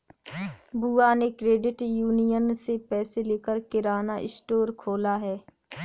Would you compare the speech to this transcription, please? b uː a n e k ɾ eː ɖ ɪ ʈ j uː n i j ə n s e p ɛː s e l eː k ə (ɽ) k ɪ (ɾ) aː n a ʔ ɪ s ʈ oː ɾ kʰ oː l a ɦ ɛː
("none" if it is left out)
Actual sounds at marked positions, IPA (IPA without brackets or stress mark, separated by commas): ɾ, ɾ